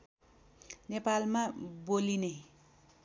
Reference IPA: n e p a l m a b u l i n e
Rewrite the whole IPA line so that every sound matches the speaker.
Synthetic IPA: n e p a l m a b o l i n e